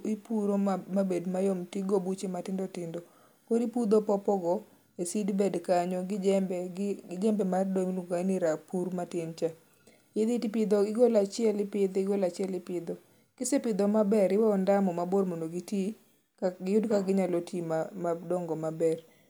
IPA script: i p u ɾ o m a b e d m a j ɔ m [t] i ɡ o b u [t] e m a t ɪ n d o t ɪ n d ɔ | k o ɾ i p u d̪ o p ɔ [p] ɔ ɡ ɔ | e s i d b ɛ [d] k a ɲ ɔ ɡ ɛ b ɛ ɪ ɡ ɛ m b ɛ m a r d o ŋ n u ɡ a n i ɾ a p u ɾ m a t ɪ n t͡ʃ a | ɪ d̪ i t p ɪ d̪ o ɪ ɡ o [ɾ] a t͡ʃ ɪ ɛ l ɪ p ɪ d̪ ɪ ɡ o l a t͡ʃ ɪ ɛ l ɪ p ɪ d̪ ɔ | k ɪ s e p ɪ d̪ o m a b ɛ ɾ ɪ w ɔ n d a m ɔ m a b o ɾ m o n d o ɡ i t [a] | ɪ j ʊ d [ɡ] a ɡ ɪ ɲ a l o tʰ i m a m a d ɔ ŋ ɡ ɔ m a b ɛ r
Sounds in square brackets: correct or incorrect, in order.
correct, incorrect: t͡ʃ, correct, correct, incorrect: l, incorrect: i, incorrect: k

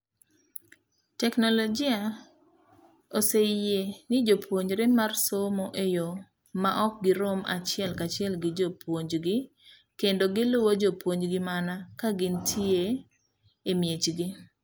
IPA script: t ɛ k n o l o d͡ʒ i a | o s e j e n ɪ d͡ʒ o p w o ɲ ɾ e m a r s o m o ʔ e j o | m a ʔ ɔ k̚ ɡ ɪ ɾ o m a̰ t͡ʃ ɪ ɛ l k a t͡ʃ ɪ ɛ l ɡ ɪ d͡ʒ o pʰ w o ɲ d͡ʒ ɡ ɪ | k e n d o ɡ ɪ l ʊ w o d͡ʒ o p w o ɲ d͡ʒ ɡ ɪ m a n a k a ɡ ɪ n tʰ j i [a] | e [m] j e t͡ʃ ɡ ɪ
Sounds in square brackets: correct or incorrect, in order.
incorrect: e, correct

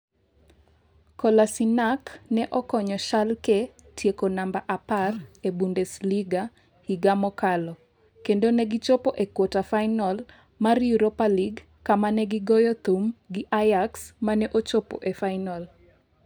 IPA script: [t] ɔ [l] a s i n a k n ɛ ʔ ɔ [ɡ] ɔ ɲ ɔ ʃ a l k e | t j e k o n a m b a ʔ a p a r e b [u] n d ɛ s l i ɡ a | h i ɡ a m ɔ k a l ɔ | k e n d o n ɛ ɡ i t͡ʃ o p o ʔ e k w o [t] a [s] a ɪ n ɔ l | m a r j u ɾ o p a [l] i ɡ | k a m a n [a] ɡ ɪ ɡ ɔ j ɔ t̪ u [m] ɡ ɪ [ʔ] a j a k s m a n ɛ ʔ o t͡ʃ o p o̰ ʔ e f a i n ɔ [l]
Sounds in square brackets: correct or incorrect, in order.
incorrect: k, correct, incorrect: k, correct, correct, incorrect: f, correct, incorrect: ɛ, correct, correct, correct

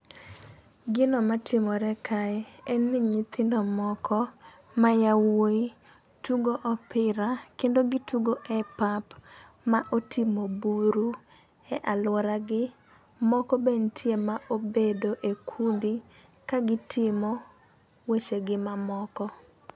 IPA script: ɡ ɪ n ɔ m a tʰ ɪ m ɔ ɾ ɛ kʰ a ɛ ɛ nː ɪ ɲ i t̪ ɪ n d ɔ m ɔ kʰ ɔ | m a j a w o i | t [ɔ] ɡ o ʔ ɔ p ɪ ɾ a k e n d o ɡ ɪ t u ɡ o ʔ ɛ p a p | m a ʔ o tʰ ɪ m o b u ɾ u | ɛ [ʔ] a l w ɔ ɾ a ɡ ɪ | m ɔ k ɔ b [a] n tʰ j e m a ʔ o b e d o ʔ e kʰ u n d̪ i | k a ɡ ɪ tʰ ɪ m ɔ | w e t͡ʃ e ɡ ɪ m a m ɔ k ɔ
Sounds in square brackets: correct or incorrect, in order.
incorrect: u, correct, incorrect: e

